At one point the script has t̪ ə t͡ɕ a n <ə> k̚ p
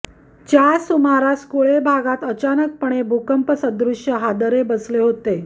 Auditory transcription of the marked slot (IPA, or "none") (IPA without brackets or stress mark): ə